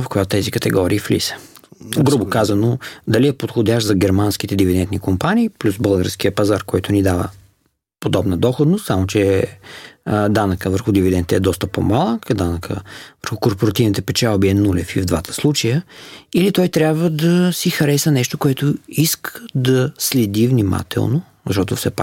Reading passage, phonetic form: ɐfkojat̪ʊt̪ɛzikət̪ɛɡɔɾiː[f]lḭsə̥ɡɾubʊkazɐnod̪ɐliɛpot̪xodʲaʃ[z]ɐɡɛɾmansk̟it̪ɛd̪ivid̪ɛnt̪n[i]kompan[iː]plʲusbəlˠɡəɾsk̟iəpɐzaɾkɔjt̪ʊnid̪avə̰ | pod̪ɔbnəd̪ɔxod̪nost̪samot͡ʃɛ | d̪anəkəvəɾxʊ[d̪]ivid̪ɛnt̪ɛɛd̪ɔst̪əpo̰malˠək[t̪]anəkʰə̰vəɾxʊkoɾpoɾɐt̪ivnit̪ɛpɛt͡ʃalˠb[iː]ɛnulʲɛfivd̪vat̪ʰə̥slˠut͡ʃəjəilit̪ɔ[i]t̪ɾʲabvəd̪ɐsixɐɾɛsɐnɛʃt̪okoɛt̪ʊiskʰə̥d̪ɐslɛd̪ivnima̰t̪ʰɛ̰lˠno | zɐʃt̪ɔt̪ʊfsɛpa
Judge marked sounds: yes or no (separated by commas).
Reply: yes, yes, yes, yes, yes, no, no, no